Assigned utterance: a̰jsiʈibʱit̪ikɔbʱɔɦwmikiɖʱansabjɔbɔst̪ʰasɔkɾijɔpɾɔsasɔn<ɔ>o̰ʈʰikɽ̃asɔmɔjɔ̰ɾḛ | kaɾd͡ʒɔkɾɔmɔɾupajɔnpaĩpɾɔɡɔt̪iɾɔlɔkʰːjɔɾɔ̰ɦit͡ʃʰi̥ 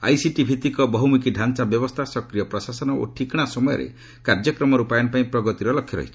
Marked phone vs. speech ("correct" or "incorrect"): correct